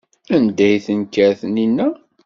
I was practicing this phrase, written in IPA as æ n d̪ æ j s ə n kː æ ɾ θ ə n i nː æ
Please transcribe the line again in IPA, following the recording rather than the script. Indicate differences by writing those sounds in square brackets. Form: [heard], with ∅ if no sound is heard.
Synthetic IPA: æ n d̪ æ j [θ] ə n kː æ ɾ θ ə n i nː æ